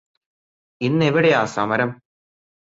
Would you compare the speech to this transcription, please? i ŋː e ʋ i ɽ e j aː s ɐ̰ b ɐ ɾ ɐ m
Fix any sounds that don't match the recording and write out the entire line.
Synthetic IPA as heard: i nː e ʋ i ɽ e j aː s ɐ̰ m ɐ ɾ ɐ m